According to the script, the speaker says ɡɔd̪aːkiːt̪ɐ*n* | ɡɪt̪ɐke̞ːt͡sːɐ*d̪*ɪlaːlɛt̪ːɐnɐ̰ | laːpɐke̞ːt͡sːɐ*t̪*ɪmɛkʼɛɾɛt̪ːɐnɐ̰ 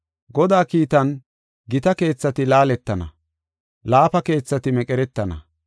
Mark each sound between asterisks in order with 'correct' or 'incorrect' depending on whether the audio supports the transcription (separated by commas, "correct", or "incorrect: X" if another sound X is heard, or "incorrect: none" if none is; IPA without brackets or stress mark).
correct, incorrect: t̪, correct